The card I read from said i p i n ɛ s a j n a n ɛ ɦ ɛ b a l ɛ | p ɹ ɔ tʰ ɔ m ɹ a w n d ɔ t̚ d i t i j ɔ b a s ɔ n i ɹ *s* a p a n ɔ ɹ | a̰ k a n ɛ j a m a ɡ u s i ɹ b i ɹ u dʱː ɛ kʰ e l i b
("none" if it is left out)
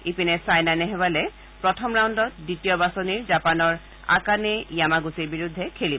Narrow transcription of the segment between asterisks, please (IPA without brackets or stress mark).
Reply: z